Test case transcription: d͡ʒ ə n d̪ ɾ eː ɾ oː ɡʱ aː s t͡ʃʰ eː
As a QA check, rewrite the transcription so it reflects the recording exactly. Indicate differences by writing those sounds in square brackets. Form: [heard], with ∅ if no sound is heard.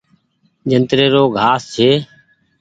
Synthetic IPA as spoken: d͡ʒ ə n [t̪] ɾ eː ɾ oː ɡʱ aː s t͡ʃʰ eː